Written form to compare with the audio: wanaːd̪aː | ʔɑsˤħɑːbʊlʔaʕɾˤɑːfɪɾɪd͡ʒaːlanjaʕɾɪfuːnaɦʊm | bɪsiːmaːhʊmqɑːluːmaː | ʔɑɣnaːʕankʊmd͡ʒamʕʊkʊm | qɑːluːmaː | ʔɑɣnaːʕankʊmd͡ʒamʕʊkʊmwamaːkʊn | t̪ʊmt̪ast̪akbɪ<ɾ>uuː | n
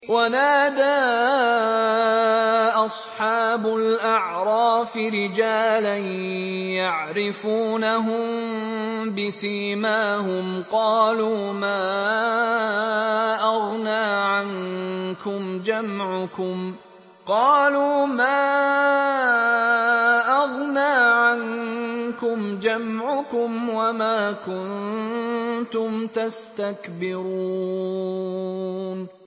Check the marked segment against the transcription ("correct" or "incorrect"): correct